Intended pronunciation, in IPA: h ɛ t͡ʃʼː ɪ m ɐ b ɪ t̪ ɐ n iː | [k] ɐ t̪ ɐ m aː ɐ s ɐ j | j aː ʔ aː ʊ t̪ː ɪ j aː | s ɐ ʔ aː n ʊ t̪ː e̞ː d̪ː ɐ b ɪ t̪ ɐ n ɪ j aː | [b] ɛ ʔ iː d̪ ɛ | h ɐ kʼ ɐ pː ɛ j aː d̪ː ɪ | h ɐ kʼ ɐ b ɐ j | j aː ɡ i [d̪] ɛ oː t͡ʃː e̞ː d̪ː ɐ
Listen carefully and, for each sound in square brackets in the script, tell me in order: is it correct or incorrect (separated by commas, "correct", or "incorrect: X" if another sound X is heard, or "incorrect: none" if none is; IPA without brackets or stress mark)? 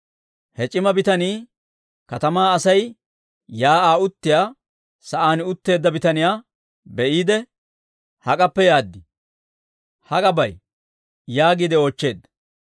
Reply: correct, correct, correct